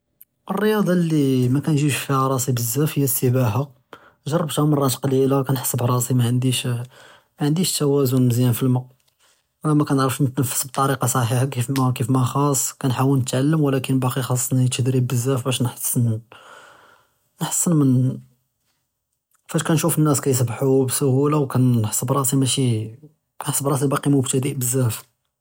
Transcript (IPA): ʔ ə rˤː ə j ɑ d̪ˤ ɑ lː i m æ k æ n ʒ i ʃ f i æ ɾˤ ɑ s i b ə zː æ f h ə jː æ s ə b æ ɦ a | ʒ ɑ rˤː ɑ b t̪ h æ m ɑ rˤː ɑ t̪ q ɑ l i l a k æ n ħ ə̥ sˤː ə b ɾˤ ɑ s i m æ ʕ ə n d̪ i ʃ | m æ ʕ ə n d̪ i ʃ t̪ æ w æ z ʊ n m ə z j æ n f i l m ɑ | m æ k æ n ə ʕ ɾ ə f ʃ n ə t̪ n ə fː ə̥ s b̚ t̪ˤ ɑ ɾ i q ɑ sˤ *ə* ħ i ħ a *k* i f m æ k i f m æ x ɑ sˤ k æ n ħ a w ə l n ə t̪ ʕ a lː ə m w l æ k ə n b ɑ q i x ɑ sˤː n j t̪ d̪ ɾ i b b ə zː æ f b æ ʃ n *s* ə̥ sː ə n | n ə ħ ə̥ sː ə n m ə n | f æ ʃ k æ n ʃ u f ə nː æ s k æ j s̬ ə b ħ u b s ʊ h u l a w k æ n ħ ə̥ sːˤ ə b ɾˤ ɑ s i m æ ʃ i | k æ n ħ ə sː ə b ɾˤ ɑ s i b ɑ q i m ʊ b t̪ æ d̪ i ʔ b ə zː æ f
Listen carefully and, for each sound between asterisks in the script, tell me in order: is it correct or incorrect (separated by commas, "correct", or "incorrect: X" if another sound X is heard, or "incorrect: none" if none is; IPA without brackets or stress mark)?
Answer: incorrect: ɑ, correct, incorrect: ħ